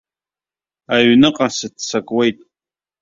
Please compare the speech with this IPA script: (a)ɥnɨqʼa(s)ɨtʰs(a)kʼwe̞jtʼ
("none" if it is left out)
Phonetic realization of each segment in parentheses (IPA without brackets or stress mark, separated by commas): a, s, a